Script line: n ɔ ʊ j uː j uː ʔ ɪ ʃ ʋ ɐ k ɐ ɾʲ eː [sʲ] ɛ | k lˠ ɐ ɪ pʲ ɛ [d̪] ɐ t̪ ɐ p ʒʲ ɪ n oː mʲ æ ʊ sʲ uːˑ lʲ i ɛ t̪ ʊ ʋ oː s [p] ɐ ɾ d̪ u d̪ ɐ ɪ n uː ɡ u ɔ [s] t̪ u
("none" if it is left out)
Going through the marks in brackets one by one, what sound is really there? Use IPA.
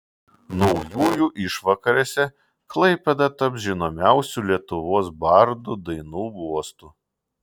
sʲ, d̪, b, s

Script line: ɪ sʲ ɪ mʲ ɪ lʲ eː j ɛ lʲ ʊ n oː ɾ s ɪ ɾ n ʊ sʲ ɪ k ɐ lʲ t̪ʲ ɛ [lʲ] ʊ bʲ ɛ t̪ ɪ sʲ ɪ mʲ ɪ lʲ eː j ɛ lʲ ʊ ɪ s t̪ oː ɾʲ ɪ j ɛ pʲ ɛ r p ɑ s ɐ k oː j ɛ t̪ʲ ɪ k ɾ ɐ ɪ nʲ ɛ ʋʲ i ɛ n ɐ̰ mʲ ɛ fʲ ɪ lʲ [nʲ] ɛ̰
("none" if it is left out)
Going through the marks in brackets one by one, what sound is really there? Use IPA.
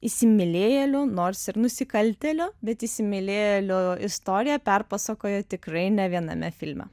lʲ, mʲ

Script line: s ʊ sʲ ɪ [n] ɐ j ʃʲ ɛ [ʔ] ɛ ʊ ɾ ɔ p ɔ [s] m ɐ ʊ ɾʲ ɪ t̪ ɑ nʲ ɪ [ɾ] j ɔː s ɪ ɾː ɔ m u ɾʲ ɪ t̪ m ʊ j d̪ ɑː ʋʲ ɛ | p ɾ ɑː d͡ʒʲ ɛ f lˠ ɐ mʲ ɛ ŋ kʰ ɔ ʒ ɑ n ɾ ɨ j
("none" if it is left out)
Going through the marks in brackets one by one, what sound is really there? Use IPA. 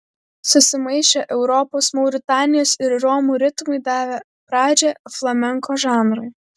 m, ʔ, s, none

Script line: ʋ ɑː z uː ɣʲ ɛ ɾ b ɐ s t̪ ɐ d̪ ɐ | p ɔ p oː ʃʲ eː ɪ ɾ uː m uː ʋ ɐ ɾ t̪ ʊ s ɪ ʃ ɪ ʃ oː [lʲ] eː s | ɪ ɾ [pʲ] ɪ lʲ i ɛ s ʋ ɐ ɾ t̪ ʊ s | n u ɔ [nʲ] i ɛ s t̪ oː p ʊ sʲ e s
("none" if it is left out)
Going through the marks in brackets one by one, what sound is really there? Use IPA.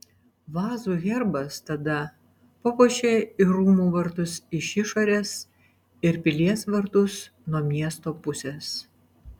ɾʲ, pʲ, mʲ

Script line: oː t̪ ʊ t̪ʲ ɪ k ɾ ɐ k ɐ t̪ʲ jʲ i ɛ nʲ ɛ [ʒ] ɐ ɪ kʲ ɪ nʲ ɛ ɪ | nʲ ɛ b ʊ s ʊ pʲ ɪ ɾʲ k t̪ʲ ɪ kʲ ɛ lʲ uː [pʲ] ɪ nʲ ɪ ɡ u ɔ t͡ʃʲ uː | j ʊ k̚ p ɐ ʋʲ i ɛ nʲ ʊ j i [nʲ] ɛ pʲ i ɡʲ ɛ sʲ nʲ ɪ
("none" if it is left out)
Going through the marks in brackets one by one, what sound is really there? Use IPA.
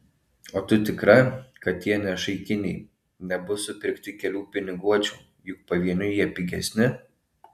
ʃ, pʲ, none

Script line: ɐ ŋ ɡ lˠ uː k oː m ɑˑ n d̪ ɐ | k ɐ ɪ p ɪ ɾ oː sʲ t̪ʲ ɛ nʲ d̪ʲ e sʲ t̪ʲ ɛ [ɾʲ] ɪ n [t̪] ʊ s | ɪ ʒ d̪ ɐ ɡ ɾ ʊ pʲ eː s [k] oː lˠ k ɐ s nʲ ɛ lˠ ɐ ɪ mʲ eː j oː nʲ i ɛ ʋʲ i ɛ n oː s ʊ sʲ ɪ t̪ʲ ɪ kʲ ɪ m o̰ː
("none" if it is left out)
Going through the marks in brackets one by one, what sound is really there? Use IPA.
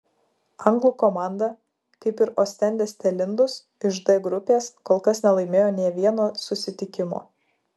lʲ, d̪, k

